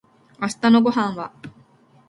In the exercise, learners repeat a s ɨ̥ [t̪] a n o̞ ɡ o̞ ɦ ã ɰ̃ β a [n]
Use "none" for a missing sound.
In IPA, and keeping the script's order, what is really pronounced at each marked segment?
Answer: t̪, none

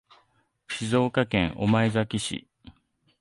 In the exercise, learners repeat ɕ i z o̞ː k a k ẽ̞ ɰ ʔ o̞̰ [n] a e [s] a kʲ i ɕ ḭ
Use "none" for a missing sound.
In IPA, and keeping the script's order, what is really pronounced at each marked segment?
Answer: m, z

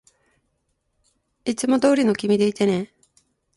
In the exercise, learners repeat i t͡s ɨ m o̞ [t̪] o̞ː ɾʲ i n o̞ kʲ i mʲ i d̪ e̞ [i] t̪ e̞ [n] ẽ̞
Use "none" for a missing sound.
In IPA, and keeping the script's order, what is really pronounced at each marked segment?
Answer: d̪, i, n

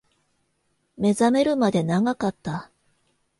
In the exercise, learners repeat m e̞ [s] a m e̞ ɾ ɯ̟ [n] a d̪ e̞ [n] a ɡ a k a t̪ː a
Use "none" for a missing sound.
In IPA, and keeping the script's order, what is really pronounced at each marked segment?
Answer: z, m, n

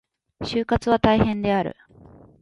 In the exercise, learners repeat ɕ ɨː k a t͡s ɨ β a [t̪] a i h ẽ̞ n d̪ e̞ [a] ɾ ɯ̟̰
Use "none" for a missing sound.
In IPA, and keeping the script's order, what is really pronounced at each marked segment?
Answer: t̪, a

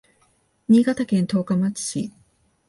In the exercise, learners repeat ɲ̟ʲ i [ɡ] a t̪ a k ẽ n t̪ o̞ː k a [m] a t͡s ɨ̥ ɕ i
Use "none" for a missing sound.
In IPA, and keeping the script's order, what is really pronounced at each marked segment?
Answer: ɡ, m

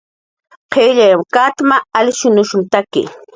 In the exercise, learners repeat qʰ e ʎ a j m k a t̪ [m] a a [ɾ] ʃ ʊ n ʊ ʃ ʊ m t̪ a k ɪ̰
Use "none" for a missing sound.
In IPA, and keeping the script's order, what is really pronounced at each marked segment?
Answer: m, l

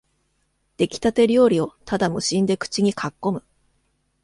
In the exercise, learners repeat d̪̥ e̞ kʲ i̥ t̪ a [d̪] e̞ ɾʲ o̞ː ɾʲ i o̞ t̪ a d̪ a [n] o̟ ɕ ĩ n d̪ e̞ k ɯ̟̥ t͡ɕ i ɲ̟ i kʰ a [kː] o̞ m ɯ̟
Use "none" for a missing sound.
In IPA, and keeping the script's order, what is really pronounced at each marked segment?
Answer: t̪, m, kː

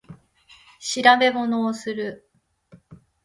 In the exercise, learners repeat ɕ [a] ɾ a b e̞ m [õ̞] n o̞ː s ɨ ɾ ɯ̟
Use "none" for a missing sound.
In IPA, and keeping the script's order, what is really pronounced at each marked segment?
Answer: i, o̞

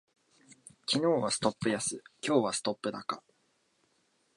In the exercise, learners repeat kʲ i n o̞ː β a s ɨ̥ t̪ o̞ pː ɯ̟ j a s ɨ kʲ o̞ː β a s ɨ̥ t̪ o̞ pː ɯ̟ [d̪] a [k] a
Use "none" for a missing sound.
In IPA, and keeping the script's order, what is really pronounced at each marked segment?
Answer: d̪, k

